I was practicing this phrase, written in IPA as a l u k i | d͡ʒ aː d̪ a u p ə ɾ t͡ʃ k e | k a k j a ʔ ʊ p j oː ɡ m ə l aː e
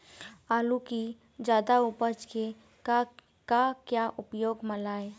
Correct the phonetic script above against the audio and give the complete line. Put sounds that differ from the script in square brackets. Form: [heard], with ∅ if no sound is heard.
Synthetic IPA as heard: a l u k i | d͡ʒ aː d̪ a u p ə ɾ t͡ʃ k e | k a k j a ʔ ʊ p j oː ɡ m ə l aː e